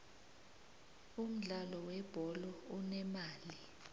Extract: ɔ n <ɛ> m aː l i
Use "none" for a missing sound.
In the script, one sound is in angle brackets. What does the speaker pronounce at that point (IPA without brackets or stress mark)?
ɛ